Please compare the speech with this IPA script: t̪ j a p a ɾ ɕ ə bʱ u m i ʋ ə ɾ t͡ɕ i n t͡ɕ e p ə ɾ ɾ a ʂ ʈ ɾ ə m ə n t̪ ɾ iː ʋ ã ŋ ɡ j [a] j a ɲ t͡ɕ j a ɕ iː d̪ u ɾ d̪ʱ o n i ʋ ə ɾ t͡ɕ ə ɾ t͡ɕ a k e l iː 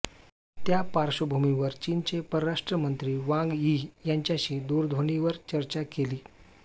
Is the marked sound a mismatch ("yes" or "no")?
yes